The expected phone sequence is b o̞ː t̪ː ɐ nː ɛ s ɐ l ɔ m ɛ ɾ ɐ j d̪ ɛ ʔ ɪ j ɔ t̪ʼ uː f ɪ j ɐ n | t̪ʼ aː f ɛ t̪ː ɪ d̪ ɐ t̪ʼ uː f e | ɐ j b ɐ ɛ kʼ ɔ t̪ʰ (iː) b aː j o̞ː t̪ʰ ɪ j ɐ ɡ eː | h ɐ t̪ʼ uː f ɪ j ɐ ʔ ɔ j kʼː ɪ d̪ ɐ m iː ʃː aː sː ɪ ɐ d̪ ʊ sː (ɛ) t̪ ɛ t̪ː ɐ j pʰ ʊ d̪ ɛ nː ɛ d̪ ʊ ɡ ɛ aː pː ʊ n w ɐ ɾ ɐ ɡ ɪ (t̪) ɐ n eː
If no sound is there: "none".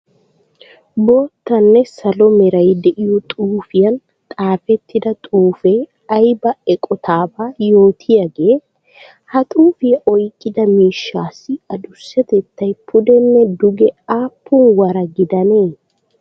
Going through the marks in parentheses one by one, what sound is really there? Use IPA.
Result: aː, ɛ, d̪

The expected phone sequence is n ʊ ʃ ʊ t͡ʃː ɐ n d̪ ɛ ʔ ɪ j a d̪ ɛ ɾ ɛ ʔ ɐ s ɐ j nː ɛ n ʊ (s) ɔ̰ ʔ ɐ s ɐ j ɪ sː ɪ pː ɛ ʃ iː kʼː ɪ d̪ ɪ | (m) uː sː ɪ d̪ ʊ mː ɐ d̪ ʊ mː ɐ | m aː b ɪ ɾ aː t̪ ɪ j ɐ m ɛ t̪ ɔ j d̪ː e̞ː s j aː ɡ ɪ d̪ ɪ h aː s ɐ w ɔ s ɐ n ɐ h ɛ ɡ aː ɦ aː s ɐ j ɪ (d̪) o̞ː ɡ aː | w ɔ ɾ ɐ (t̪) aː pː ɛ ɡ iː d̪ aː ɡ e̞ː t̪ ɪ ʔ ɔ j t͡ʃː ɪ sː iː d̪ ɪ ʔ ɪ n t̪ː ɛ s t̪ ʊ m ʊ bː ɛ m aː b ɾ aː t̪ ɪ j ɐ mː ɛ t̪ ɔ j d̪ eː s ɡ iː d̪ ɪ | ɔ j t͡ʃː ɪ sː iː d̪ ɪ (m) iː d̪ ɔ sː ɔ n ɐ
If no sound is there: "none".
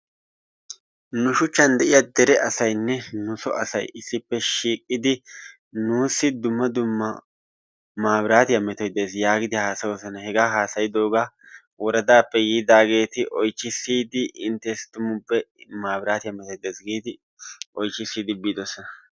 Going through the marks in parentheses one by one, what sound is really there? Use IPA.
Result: s, n, d̪, d̪, b

